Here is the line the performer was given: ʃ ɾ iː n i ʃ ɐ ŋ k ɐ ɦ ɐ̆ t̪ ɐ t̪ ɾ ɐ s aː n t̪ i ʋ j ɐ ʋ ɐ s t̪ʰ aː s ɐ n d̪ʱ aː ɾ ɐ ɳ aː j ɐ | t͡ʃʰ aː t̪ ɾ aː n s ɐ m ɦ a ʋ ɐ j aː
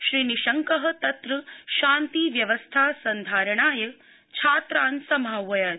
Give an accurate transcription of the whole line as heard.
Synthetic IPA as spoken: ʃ ɾ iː n i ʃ ɐ ŋ k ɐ ɦ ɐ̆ t̪ ɐ t̪ ɾ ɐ ʃ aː n t̪ i ʋ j ɐ ʋ ɐ s t̪ʰ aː s ɐ n d̪ʱ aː ɾ ɐ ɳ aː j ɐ | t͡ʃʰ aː t̪ ɾ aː n s ɐ m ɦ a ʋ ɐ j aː